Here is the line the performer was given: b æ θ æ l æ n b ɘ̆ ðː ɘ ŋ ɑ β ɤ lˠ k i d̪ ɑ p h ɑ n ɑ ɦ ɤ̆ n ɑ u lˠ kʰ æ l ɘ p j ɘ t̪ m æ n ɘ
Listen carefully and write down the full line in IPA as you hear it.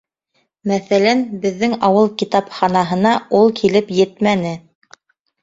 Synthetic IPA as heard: m æ θ æ l æ n b ɘ̆ ðː ɘ ŋ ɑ w ɤ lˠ k i t̪ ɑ p χ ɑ n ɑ ɦ ɤ̆ n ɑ u lˠ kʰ i l ɘ p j ɘ t̪ m æ n ɘ